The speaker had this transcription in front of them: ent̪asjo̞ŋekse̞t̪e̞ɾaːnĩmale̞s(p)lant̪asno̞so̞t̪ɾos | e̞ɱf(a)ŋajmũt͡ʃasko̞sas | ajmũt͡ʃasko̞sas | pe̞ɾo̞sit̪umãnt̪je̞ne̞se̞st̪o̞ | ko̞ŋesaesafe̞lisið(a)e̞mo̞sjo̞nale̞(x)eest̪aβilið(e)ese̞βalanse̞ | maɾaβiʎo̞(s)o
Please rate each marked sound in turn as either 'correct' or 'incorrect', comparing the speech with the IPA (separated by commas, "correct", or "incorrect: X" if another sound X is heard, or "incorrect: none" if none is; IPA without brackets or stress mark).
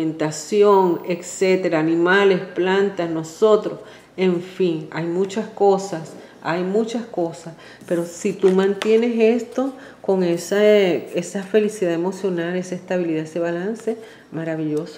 correct, incorrect: i, correct, incorrect: s, incorrect: a, correct